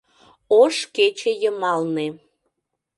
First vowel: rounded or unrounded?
rounded